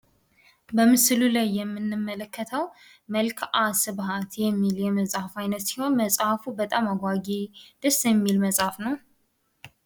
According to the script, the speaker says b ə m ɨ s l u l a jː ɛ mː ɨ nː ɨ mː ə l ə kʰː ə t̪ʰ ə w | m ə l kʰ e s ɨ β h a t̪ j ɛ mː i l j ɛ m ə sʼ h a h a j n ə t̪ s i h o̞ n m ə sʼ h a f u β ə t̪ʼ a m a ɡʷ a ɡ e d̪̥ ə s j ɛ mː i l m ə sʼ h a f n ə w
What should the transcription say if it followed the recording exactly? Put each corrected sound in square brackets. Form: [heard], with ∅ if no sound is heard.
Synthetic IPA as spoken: b ə m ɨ s l u l a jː ɛ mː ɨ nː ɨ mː ə l ə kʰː ə t̪ʰ ə w | m ə l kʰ [a] s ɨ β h a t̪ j ɛ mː i l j ɛ m ə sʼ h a [f] a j n ə t̪ s i h o̞ n m ə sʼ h a f u [b] ə t̪ʼ a m a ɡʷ a ɡ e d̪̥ ə s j ɛ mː i l m ə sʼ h a f n ə w